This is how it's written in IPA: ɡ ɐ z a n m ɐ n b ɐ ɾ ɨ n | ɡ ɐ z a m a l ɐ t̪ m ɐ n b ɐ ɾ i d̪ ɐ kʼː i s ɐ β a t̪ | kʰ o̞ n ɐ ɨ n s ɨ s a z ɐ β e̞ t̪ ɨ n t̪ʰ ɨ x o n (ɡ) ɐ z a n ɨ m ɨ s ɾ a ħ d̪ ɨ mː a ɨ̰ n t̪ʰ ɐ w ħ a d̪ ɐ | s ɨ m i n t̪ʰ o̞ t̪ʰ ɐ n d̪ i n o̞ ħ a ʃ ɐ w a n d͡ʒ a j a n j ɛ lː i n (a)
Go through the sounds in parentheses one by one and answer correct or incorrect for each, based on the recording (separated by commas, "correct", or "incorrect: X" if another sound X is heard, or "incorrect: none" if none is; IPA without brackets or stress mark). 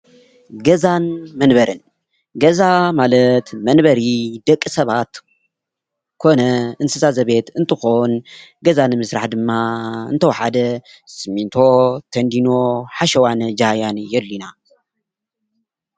correct, correct